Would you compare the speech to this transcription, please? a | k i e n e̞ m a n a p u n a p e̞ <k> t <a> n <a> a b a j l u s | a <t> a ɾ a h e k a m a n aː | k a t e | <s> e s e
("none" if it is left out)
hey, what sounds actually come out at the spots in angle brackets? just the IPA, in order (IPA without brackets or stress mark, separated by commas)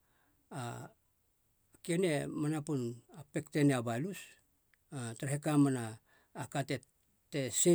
k, e, e, t, t